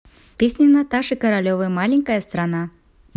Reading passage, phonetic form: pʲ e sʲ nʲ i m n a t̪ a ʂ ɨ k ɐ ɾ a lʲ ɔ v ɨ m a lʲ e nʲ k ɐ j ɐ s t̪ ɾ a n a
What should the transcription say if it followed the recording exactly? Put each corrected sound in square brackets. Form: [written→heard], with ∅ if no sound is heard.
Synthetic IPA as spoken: pʲ e sʲ nʲ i [m→∅] n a t̪ a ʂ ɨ k ɐ ɾ a lʲ ɔ v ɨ m a lʲ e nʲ k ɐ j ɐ s t̪ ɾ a n a